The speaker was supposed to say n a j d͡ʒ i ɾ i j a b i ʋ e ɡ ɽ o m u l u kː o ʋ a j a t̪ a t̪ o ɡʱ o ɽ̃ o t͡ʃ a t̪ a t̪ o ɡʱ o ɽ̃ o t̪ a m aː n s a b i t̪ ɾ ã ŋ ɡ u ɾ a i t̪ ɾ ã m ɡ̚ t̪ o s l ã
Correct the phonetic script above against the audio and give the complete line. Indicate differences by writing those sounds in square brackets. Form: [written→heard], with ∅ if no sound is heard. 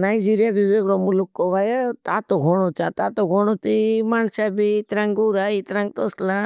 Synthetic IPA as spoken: n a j d͡ʒ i ɾ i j a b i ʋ e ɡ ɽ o m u l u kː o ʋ a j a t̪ a t̪ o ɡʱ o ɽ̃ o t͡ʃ a t̪ a t̪ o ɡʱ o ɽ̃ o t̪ [a→i] m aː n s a b i t̪ ɾ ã ŋ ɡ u ɾ a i t̪ ɾ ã [m→ŋ] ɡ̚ t̪ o s l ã